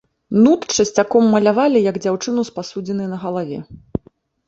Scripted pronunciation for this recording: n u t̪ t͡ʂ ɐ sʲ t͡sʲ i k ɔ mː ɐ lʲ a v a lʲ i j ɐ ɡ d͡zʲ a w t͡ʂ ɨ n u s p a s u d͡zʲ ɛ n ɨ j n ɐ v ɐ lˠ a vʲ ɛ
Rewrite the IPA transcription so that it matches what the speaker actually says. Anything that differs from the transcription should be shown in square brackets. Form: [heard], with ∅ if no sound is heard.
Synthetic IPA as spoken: n u t̪ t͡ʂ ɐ sʲ t͡sʲ [a] k ɔ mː ɐ lʲ a v a lʲ i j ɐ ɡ d͡zʲ a w t͡ʂ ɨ n u s p a s u d͡zʲ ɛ n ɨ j n ɐ [ɣ] ɐ lˠ a vʲ ɛ